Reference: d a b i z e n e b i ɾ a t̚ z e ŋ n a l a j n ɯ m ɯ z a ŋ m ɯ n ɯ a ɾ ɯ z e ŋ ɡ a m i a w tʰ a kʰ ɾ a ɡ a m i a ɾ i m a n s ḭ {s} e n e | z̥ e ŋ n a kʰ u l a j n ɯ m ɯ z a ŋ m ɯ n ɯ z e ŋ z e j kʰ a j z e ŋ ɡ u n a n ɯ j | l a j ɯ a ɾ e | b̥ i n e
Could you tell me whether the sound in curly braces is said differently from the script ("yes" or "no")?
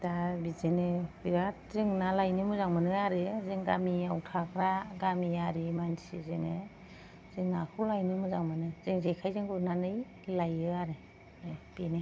yes